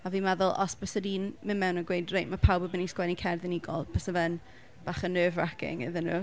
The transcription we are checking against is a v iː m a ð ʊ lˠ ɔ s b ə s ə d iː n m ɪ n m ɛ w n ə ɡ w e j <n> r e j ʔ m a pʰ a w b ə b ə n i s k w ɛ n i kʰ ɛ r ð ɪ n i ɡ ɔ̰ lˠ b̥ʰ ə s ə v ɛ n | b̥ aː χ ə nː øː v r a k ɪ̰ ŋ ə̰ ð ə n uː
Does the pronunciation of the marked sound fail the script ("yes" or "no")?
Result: yes